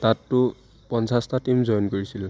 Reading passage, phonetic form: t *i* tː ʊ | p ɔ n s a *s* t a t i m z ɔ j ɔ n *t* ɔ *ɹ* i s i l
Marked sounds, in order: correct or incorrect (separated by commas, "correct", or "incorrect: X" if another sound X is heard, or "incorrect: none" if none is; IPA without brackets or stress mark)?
incorrect: a, correct, incorrect: k, correct